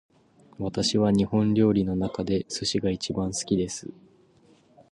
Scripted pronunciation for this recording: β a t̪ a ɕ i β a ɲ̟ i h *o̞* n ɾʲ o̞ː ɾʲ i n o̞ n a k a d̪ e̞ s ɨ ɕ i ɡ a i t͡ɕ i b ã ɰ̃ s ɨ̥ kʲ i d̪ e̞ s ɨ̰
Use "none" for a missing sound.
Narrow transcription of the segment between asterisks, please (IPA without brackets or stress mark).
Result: õ̞